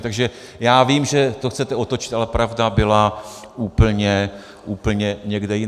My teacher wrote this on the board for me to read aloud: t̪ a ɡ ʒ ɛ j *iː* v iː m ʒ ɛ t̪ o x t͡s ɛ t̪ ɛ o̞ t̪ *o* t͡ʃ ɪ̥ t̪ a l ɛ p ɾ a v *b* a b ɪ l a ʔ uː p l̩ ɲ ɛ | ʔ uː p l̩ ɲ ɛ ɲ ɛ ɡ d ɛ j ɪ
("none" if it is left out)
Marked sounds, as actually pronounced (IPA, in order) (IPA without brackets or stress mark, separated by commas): aː, o, d